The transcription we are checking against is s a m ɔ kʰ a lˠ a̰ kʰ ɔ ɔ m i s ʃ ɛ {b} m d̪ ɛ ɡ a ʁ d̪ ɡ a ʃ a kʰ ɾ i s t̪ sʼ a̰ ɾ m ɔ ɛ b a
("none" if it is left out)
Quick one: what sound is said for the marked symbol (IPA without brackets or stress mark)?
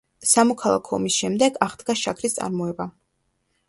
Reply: none